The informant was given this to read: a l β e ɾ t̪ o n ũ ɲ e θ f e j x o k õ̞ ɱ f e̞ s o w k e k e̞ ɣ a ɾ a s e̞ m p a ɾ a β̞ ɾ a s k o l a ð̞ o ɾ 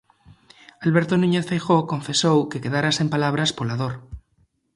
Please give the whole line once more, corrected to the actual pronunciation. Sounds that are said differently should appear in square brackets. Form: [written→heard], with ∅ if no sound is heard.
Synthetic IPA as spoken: a l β e ɾ t̪ o n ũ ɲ e θ f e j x o k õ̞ ɱ f e̞ s o w k e k e̞ [ɣ→ð] a ɾ a s e̞ m p a [ɾ→l] a β̞ ɾ a s [k→p] o l a ð̞ o ɾ